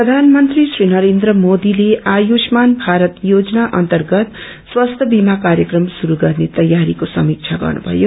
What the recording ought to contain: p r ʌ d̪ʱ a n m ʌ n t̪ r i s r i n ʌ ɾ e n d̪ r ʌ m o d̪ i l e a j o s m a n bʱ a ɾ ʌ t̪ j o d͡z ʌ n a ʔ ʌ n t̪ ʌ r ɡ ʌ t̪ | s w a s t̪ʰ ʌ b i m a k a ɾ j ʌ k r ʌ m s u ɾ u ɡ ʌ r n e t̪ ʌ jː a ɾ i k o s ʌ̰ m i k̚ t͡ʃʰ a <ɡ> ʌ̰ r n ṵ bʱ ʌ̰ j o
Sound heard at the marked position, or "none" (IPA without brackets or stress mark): ɡ